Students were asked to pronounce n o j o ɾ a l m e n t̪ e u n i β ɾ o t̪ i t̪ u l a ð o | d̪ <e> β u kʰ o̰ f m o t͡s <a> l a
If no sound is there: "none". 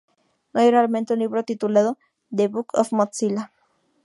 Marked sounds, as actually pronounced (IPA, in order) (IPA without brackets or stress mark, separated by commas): e, i